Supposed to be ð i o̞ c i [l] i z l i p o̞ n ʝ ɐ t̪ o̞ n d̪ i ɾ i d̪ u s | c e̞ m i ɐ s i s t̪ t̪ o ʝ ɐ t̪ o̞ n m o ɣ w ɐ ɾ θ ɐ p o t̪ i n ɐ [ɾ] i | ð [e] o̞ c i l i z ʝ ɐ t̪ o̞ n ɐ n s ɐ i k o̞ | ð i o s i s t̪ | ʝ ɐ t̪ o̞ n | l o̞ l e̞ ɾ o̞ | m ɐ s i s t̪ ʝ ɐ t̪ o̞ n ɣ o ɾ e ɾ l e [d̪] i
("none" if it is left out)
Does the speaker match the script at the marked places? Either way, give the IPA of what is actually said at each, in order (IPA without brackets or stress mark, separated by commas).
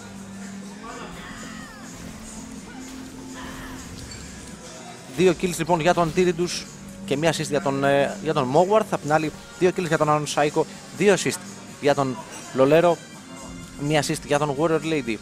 l, l, i, d̪